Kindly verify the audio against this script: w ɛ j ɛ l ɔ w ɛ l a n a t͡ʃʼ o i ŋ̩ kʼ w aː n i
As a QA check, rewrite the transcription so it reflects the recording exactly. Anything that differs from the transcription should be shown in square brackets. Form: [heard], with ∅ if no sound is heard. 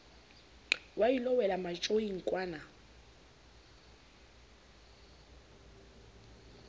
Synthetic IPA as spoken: w [a] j [i] l ɔ w ɛ l a [m] a t͡ʃʼ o i ŋ̩ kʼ w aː n [a]